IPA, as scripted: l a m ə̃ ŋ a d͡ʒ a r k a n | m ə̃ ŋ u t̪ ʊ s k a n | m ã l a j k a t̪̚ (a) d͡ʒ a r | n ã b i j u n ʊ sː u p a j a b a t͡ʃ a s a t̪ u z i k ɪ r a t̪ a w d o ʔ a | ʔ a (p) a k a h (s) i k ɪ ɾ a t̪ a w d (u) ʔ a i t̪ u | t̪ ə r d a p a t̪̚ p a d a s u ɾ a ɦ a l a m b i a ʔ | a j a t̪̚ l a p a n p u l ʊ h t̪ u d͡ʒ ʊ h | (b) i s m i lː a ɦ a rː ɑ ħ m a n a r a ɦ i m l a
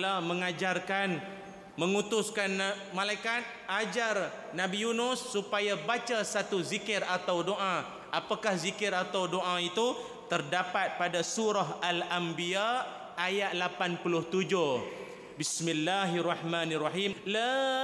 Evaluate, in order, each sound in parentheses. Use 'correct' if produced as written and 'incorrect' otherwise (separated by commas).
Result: correct, correct, incorrect, incorrect, correct